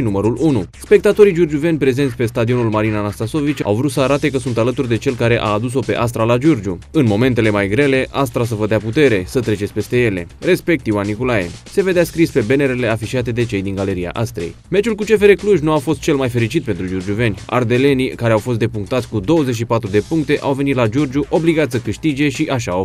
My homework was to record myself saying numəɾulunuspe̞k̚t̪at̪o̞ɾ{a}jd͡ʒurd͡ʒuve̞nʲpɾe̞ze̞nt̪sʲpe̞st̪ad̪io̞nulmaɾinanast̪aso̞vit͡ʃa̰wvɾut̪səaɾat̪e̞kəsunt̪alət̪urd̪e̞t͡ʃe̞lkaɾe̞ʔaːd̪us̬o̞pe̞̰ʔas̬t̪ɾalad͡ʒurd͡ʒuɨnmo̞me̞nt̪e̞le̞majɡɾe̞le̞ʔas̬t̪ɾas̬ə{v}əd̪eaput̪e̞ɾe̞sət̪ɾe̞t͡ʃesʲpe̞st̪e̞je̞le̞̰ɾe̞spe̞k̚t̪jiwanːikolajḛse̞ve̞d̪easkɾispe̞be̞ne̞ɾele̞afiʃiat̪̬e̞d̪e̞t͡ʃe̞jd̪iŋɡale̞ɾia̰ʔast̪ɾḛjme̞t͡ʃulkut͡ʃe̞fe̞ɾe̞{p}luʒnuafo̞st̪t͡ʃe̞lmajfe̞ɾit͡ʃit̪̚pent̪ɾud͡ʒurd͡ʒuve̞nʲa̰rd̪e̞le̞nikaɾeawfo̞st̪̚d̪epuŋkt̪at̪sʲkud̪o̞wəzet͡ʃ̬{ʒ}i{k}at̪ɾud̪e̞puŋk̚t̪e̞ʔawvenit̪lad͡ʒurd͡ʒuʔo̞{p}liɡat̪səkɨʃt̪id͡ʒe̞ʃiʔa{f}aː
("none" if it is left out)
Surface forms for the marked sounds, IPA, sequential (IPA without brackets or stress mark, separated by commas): i, v, k, ʃ, p, b, ʃ